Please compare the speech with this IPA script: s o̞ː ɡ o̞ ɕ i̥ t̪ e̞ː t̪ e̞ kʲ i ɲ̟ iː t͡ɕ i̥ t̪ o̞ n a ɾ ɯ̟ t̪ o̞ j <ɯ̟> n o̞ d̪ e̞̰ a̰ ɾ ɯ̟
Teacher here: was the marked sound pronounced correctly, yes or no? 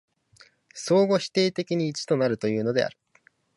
no